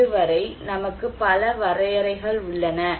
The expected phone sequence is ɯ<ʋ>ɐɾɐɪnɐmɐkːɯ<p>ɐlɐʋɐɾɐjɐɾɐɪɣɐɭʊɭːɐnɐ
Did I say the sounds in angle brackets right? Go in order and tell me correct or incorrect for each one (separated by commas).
correct, correct